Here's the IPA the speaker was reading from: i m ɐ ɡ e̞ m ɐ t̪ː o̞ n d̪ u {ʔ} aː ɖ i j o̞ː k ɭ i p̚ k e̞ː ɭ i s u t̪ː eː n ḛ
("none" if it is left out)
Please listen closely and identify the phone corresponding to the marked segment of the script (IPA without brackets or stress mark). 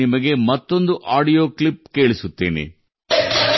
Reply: ʔ